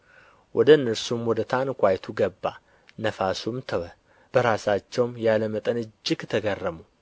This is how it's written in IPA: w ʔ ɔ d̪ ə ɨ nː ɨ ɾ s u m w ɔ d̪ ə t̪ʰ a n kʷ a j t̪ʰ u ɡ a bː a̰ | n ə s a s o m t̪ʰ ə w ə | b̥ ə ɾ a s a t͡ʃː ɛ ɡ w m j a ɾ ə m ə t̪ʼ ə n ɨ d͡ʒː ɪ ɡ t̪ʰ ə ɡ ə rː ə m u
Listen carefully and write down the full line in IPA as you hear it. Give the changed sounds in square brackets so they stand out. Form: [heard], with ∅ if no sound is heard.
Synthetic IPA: w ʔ ɔ d̪ ə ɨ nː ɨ ɾ s u m w ɔ d̪ ə t̪ʰ a n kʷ a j t̪ʰ u ɡ [ə] bː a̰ | n ə [f] a s [u] m t̪ʰ ə w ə | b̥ ə ɾ a s a t͡ʃː ɛ [∅] w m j a [l] ə m ə t̪ʼ ə n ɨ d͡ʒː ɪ ɡ t̪ʰ ə ɡ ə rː ə m u